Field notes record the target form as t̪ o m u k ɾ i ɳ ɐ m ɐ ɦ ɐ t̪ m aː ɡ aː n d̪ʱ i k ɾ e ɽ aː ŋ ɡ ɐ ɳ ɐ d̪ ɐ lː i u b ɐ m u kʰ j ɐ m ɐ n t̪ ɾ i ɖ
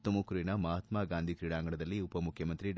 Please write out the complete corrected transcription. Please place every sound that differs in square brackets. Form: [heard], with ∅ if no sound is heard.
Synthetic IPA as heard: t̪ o m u k ɾ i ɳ ɐ m ɐ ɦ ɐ t̪ m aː ɡ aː n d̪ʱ i k ɾ [i] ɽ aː ŋ ɡ ɐ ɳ ɐ d̪ ɐ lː i u [p] ɐ m u kʰ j ɐ m ɐ n t̪ ɾ i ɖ